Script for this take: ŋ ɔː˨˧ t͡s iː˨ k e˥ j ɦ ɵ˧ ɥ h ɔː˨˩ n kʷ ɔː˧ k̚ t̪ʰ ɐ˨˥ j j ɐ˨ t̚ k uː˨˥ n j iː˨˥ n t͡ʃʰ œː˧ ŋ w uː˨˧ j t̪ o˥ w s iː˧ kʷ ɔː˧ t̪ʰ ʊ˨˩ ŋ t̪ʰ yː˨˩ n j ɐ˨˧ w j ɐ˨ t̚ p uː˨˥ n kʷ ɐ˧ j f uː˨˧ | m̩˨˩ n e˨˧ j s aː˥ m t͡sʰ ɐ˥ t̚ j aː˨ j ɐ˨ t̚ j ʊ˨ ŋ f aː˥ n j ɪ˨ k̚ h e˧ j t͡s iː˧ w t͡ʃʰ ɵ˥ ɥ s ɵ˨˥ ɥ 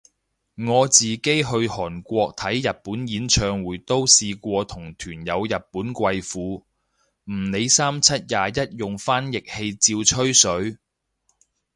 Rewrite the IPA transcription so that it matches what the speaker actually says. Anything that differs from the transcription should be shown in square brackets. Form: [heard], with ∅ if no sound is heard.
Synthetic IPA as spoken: ŋ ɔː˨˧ t͡s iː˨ k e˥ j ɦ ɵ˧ ɥ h ɔː˨˩ n kʷ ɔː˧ k̚ t̪ʰ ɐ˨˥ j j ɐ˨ t̚ [p] uː˨˥ n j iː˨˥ n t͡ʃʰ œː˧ ŋ w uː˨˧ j t̪ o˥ w s iː˧ kʷ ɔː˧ t̪ʰ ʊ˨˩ ŋ t̪ʰ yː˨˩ n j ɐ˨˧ w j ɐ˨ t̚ p uː˨˥ n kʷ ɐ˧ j f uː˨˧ | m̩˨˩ n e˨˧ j s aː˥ m t͡sʰ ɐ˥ t̚ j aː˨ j [ɐ˥] t̚ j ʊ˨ ŋ f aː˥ n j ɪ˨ k̚ h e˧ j t͡s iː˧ w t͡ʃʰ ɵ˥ ɥ s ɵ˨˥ ɥ